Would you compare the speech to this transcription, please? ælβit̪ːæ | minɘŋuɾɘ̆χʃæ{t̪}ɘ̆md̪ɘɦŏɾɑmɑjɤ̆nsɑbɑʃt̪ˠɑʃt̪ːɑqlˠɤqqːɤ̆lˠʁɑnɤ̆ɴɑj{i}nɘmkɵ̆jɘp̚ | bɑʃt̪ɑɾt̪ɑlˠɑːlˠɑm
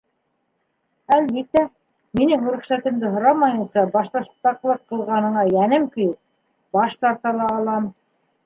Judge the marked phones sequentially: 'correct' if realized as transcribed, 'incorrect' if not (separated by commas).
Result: correct, incorrect